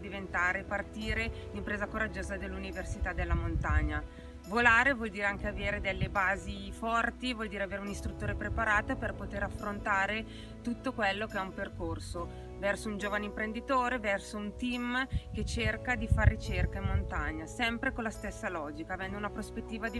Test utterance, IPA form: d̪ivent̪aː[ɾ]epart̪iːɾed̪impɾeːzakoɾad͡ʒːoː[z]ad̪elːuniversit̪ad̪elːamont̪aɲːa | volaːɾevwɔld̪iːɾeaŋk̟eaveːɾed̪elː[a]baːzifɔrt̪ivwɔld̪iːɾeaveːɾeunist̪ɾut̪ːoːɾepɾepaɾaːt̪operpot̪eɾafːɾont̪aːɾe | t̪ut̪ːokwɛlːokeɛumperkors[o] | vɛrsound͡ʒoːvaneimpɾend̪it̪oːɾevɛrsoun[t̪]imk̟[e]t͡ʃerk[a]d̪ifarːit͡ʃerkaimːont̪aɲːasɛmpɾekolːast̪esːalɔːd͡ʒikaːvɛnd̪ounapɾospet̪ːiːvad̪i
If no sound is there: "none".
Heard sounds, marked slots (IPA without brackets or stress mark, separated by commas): ɾ, z, e, o, t̪, e, a